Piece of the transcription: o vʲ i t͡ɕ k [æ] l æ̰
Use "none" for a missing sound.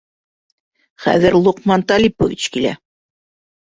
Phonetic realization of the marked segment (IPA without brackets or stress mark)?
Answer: i